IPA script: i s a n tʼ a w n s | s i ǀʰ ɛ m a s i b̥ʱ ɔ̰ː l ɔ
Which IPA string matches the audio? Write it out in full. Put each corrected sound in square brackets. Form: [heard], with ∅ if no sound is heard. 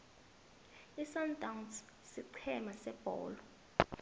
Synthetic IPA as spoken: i s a n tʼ a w n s | s i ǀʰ ɛ m a s [ɛ] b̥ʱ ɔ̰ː l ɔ